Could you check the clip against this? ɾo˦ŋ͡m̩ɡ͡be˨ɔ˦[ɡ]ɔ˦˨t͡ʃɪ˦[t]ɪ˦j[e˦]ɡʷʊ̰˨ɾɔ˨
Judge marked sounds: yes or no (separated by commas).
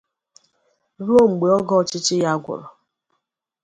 yes, no, no